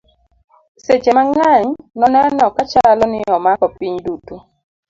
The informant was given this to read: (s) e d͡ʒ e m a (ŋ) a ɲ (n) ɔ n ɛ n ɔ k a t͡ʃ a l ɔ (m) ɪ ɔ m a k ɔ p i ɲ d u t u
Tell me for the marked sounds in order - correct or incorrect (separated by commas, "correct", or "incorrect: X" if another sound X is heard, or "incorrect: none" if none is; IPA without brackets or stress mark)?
correct, correct, correct, incorrect: n